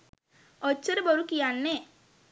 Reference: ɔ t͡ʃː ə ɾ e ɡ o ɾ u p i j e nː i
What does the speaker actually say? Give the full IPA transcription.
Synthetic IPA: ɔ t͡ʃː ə ɾ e b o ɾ u k i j a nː e